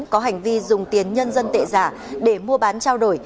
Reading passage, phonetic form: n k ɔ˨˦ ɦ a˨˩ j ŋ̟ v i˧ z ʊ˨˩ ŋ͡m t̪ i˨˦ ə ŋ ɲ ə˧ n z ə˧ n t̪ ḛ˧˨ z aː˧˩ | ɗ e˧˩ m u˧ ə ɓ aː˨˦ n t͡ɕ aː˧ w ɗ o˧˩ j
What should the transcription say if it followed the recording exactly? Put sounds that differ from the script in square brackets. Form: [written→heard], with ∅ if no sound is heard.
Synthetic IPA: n k ɔ˨˦ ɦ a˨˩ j ŋ̟ v i˧ z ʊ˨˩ ŋ͡m t̪ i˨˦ ə [ŋ→n] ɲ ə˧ n z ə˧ n t̪ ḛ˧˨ z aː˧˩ | ɗ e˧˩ m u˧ ə ɓ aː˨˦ n t͡ɕ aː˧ w ɗ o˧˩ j